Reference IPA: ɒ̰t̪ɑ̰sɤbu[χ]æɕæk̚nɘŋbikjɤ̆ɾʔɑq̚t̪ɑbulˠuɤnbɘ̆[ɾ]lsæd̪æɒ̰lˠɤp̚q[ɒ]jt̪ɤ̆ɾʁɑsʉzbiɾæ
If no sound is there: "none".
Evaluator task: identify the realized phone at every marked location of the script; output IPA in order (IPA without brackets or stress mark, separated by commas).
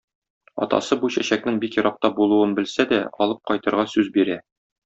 ɕ, none, ɒ